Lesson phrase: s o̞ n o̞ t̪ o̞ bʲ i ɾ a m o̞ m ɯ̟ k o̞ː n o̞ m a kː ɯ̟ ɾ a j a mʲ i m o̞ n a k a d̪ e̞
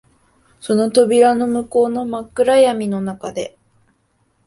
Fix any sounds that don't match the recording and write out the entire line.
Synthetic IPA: s o̞ n o̞ t̪ o̞ bʲ i ɾ a n o̞ m ɯ̟ k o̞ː n o̞ m a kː ɯ̟ ɾ a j a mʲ i n o̞ n a k a d̪ e̞